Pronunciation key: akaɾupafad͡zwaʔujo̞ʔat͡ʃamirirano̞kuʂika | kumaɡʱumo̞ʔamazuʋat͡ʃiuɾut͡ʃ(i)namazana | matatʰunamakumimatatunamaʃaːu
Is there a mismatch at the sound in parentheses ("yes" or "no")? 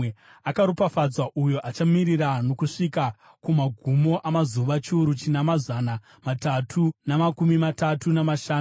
no